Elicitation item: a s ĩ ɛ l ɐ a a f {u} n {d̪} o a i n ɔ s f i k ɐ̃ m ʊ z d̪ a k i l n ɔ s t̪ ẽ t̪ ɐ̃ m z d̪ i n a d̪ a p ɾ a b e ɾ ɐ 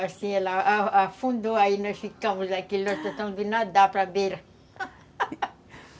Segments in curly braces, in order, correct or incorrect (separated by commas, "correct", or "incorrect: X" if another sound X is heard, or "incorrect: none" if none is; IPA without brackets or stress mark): incorrect: ũ, correct